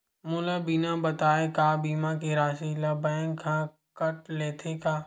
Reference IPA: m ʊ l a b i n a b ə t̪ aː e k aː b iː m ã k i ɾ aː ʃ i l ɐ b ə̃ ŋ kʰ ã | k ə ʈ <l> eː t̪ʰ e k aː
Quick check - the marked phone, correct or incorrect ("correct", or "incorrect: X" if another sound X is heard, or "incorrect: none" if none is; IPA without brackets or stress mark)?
correct